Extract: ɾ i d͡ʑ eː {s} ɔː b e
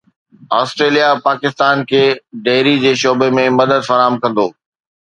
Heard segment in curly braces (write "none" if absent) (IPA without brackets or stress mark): ʃ